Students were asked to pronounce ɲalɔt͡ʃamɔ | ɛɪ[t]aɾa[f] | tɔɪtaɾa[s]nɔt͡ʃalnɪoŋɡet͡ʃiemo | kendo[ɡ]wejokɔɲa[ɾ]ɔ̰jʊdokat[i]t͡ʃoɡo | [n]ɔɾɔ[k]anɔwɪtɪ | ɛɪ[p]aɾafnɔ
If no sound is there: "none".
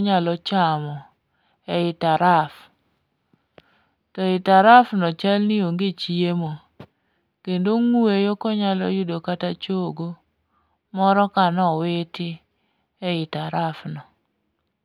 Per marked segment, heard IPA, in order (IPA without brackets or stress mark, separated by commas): t, f, f, ŋ, l, a, m, k, t